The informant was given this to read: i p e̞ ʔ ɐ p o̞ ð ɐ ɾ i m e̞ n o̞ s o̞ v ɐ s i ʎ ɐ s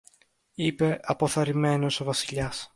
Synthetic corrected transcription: i p e̞ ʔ ɐ p o̞ θ ɐ ɾ i m e̞ n o̞ s o̞ v ɐ s i ʎ ɐ s

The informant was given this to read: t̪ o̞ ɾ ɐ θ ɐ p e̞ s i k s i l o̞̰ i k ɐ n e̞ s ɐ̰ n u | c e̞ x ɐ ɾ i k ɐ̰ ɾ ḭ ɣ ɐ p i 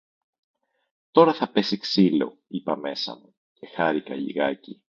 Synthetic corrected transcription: t̪ o̞ ɾ ɐ θ ɐ p e̞ s i k s i l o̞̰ i p ɐ m e̞ s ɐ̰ m u | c e̞ x ɐ ɾ i k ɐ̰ ʎ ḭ ɣ ɐ c i

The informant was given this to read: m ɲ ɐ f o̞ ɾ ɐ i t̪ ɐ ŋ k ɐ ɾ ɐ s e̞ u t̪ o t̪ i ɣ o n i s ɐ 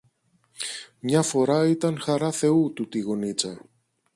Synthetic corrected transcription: m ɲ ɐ f o̞ ɾ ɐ i t̪ ɐ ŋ x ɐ ɾ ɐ θ e̞ u t̪ u t̪ i ɣ o n i t͡s ɐ

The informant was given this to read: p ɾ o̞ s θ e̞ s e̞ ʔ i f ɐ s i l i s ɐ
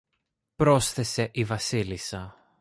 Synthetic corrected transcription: p ɾ o̞ s θ e̞ s e̞ ʔ i v ɐ s i l i s ɐ

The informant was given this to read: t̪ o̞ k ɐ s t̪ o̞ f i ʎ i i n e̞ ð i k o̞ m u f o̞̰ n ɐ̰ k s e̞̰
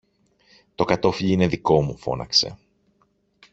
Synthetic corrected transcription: t̪ o̞ k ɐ t̪ o̞ f i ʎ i i n e̞ ð i k o̞ m u f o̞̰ n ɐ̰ k s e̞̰

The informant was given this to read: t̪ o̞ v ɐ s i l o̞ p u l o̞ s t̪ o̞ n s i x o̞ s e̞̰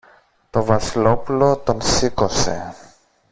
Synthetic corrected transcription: t̪ o̞ v ɐ s i l o̞ p u l o̞ t̪ o̞ n s i k o̞ s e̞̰

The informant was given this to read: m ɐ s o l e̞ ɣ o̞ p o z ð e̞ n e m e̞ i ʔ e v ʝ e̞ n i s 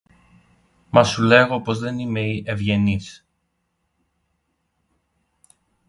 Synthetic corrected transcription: m ɐ s u l e̞ ɣ o̞ p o z ð e̞ n i m e̞ i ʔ e v ʝ e̞ n i s

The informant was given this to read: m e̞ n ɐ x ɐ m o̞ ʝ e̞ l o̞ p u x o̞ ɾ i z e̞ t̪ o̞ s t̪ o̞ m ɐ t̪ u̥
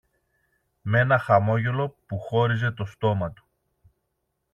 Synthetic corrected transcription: m e̞ n ɐ x ɐ m o̞ ʝ e̞ l o̞ p u x o̞ ɾ i z e̞ t̪ o̞ s t̪ o̞ m ɐ t̪ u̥

